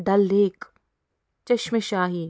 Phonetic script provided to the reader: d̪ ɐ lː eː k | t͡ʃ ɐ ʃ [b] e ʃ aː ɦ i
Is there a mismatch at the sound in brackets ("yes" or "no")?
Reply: yes